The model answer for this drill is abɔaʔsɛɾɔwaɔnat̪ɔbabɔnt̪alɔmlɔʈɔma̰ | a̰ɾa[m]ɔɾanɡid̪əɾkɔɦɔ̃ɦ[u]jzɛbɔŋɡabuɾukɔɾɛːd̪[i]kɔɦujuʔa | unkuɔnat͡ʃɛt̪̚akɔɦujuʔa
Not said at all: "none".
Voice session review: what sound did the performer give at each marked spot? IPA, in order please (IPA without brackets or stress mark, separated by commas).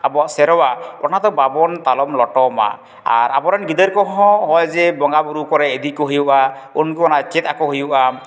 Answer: b, ɔ, i